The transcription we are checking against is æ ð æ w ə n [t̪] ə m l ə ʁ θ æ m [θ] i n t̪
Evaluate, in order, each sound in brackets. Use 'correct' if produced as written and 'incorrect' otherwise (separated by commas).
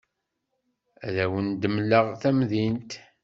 incorrect, incorrect